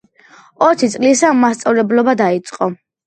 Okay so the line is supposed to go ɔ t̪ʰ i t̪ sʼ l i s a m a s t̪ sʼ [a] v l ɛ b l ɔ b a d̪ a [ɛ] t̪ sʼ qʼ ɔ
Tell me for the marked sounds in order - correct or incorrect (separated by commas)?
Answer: correct, incorrect